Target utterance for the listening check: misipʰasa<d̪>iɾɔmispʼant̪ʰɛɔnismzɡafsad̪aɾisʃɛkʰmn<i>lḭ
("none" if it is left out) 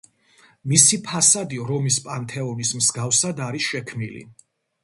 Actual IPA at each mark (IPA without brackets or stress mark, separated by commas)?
d̪, i